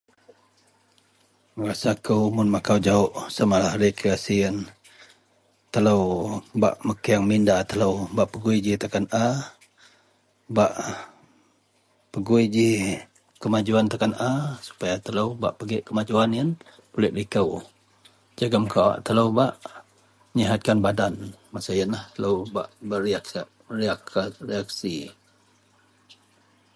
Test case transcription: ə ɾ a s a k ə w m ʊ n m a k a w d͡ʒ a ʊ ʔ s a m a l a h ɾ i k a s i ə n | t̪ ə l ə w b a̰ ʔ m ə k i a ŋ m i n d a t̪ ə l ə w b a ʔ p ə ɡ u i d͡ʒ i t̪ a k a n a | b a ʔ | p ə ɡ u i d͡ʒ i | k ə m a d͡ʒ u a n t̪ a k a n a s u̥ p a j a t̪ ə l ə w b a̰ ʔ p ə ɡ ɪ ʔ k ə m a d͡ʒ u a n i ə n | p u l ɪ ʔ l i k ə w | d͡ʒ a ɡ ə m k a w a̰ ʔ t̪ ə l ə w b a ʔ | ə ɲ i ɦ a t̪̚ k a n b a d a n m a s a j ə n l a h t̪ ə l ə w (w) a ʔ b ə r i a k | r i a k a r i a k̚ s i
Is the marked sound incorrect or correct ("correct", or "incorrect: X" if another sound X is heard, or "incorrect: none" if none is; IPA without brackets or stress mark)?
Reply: incorrect: b